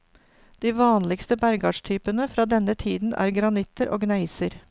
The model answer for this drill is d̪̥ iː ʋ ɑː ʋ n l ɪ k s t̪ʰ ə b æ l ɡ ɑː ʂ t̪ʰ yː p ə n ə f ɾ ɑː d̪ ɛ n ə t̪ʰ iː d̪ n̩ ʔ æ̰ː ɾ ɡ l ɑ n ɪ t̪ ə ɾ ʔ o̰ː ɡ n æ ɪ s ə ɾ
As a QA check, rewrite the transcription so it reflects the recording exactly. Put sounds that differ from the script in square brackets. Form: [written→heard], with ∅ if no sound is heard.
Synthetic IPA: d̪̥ iː ʋ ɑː [ʋ→∅] n l ɪ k s [t̪ʰ→t̪] ə b æ [l→ɾ] ɡ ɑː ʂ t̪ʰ yː p ə n ə f ɾ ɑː d̪ ɛ n ə t̪ʰ iː d̪ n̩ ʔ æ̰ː ɾ ɡ [l→ɾ] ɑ n ɪ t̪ ə ɾ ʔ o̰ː ɡ n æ ɪ s ə ɾ